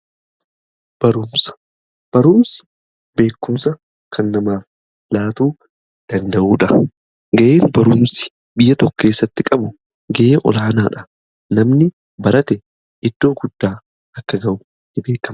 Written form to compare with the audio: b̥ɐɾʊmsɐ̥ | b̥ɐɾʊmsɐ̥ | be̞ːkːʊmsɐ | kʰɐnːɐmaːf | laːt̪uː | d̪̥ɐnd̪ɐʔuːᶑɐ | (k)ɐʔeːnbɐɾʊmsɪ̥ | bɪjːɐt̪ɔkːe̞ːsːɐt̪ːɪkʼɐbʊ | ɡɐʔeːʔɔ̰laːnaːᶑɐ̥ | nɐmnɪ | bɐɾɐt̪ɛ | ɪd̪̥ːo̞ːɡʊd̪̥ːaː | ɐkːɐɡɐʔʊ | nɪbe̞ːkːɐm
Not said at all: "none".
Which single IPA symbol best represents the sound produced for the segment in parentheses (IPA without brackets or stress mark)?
ɡ